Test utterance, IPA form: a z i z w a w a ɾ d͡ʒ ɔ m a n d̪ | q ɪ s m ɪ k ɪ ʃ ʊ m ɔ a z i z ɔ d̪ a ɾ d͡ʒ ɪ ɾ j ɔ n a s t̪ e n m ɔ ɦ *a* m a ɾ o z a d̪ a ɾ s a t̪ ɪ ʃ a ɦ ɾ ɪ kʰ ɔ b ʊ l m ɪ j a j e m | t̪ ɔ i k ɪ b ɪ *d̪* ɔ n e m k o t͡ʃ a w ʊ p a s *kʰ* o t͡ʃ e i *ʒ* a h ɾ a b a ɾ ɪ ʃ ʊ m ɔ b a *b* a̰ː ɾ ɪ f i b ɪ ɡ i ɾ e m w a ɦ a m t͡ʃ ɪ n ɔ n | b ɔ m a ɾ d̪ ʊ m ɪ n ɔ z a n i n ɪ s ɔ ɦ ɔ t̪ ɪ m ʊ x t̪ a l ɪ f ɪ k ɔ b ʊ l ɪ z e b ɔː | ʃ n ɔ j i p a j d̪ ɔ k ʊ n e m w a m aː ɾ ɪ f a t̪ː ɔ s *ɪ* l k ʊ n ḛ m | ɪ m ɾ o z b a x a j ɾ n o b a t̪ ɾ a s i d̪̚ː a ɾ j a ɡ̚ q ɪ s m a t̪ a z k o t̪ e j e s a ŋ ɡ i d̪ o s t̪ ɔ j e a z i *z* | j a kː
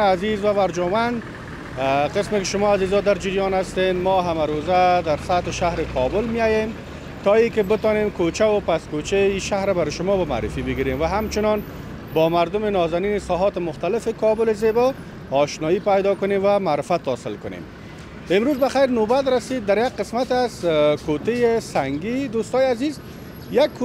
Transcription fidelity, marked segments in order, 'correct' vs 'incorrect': correct, incorrect: t̪, incorrect: k, incorrect: ʃ, incorrect: m, correct, correct

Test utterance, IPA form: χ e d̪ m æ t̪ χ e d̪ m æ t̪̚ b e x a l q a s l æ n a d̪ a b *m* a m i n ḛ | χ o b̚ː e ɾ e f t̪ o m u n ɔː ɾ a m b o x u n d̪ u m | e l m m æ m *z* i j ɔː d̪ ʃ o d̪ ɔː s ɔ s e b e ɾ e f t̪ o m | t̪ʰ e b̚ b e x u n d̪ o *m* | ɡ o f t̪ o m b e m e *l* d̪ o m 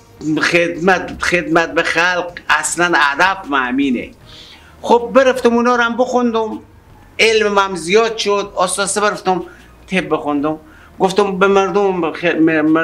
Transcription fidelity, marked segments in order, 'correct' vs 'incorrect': correct, correct, correct, incorrect: ɾ

